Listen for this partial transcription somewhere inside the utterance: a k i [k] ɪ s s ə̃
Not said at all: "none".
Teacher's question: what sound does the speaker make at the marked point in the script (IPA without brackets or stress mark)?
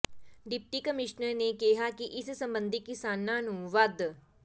ʔ